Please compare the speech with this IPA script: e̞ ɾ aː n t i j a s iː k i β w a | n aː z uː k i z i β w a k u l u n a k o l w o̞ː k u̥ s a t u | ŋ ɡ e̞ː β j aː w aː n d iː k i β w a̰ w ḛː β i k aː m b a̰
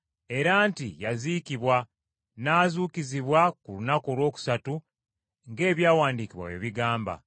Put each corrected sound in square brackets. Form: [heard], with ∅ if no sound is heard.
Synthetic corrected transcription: e̞ ɾ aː n t i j a [z] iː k i β w a | n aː z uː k i z i β w a k u l u n a k o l w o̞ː k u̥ s a t u | ŋ ɡ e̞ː β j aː w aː n d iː k i β w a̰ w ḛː β i [ɡ] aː m b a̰